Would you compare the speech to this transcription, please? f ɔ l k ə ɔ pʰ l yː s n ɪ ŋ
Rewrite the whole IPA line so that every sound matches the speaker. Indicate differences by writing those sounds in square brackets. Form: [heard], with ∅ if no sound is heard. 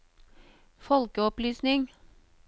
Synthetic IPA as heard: f ɔ l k ə ɔ [p] l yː s n ɪ ŋ